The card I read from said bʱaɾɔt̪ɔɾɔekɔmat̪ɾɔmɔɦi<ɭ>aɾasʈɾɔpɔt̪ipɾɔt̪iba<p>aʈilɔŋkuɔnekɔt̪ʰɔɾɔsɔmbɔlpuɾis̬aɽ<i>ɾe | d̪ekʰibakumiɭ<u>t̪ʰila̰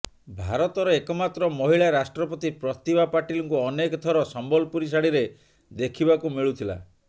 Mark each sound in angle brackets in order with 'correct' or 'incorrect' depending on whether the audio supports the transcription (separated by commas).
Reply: correct, correct, correct, correct